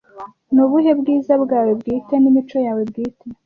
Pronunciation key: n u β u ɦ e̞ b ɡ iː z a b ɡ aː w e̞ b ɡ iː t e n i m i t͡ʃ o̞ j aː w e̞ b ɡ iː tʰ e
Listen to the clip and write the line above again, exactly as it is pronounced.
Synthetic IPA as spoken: n u β u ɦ e̞ b ɡ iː z a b ɡ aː w e̞ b ɡ iː t e n i m i t͡ʃ o̞ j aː w e̞ b ɡ iː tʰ e